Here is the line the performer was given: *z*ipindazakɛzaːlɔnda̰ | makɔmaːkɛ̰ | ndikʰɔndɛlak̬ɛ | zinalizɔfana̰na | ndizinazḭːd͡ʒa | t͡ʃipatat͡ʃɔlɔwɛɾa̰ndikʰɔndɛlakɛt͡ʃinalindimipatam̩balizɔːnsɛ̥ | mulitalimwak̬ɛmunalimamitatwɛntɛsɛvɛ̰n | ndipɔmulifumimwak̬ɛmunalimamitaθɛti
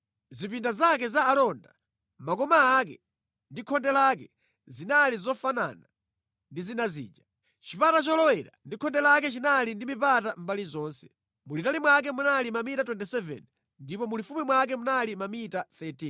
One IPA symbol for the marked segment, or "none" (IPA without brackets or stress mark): z